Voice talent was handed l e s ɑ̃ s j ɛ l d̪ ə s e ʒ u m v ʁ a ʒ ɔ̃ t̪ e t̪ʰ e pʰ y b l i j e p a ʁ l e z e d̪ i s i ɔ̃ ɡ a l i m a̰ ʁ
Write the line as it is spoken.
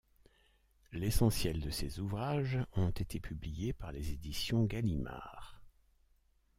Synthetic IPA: l e s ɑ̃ s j ɛ l d̪ ə s e z u v ʁ a ʒ ɔ̃ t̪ e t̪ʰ e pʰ y b l i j e p a ʁ l e z e d̪ i s j ɔ̃ ɡ a l i m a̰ ʁ